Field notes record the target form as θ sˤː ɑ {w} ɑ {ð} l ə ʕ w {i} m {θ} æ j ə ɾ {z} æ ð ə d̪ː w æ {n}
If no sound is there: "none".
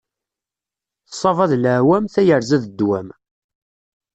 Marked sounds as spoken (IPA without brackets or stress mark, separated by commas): v, ð, æ, θ, z, m